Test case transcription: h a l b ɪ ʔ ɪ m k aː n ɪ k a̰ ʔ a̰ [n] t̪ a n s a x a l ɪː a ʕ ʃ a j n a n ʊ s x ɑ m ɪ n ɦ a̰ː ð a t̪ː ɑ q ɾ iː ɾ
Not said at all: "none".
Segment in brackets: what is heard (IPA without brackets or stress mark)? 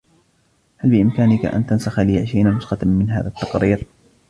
n